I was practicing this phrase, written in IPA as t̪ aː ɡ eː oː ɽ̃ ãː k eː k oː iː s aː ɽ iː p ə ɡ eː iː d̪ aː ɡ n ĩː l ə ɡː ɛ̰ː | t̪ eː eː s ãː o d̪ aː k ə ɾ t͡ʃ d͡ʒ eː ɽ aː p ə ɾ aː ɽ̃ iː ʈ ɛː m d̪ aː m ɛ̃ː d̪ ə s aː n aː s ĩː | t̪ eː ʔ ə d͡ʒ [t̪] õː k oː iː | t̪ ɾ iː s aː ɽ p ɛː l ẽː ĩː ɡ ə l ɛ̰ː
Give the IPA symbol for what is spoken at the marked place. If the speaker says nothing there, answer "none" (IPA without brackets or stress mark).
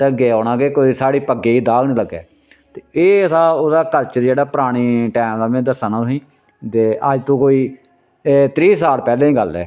t̪